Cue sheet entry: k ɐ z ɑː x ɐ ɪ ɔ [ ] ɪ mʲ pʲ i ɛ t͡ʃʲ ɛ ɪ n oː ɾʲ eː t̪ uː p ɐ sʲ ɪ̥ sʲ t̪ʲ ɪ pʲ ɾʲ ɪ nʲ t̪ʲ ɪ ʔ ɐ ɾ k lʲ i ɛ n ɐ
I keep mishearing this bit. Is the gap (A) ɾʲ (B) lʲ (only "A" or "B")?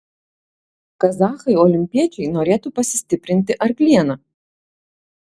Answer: B